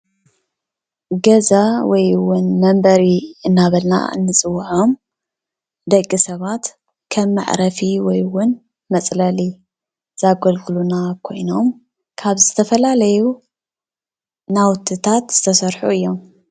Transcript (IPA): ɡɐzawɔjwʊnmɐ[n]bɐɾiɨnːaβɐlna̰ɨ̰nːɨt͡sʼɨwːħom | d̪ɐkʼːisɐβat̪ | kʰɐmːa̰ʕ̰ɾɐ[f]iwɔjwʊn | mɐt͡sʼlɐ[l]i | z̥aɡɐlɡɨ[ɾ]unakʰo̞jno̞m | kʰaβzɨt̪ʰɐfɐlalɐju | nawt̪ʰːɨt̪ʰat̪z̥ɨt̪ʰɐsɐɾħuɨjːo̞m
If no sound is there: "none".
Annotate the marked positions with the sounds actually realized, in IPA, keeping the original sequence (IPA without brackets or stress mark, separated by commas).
m, f, l, l